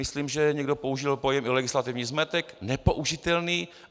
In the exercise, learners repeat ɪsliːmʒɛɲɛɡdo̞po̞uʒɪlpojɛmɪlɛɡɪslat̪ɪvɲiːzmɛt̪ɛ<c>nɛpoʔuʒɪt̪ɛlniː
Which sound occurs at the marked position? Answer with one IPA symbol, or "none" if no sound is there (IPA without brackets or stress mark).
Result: k